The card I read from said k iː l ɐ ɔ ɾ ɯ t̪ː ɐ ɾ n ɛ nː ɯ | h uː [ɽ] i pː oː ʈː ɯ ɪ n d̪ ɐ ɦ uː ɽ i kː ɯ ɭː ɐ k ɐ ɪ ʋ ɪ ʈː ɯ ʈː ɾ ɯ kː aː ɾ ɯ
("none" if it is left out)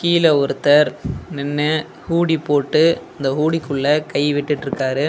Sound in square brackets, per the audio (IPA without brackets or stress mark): ɽ